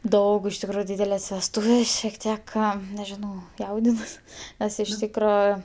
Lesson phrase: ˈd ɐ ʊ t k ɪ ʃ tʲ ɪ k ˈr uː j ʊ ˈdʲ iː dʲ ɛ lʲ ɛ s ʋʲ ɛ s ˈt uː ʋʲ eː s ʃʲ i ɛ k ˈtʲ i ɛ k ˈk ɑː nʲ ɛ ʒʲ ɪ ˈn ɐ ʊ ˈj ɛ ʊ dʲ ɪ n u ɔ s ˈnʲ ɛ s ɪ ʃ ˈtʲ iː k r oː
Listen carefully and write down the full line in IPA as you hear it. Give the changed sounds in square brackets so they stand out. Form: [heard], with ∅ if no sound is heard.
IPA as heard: ˈd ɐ ʊ [∅] k ɪ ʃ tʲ ɪ k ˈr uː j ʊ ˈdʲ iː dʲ ɛ lʲ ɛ s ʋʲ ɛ s ˈt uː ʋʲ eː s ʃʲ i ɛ k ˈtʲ i ɛ k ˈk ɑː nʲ ɛ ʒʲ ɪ ˈn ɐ ʊ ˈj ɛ ʊ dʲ ɪ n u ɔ s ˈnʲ ɛ s ɪ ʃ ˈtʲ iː k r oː